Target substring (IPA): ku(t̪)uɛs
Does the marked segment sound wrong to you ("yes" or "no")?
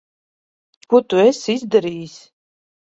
no